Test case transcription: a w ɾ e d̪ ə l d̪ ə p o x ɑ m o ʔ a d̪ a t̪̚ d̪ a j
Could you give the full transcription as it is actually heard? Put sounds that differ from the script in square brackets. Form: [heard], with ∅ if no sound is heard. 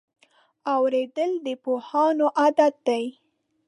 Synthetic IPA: a w ɾ e d̪ ə l d̪ ə p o [h] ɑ [n] o ʔ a d̪ a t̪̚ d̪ a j